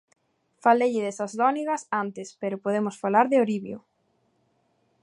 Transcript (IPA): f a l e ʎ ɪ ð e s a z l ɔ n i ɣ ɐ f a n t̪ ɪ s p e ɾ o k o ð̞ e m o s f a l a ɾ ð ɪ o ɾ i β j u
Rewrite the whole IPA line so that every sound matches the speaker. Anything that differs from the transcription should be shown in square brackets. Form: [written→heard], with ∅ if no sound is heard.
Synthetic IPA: f a l e ʎ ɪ ð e s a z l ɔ n i ɣ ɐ [f→s] a n t̪ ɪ s p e ɾ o [k→p] o ð̞ e m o s f a l a ɾ ð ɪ o ɾ i β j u